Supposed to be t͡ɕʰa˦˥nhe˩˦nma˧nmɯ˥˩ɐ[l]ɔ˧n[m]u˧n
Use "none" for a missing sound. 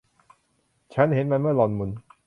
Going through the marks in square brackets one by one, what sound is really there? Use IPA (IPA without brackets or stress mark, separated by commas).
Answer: l, m